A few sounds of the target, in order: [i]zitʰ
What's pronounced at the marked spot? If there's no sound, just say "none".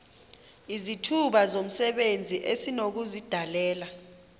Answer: i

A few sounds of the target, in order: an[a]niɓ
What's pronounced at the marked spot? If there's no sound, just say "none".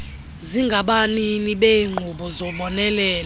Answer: i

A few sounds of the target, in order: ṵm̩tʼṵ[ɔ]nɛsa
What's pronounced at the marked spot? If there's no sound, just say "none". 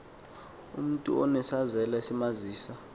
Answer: ɔ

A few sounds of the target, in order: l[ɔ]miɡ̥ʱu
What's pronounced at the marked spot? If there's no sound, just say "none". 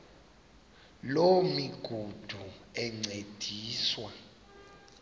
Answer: o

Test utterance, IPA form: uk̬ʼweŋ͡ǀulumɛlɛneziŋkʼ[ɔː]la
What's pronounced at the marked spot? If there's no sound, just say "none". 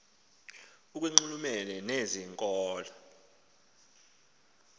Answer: ɔː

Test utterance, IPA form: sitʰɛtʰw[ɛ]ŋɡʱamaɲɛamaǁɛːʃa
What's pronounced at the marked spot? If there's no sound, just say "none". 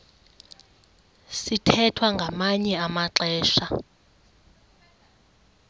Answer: a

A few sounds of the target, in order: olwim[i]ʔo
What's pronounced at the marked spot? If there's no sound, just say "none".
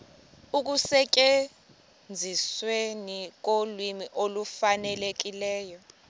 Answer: i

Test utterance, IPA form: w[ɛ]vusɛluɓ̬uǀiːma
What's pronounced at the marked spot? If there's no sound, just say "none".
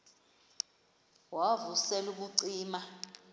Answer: a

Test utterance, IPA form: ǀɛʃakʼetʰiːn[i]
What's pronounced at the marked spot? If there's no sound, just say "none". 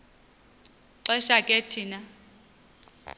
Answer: a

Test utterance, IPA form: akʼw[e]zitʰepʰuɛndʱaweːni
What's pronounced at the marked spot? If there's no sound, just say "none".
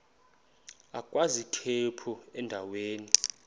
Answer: a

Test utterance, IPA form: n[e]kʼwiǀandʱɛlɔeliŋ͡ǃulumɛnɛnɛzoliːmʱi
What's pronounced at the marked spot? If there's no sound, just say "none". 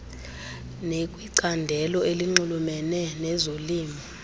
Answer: e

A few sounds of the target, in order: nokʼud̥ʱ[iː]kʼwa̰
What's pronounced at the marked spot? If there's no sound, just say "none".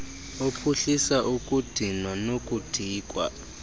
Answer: iː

